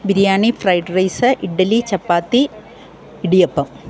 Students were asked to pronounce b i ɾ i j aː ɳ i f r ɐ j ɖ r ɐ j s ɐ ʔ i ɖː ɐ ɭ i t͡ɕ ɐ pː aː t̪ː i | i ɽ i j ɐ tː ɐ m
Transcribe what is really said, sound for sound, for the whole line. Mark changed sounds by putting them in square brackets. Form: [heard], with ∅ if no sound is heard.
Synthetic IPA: b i ɾ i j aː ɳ i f r ɐ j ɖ r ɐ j s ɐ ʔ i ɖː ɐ [l] i t͡ɕ ɐ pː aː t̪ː i | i ɽ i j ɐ [pː] ɐ m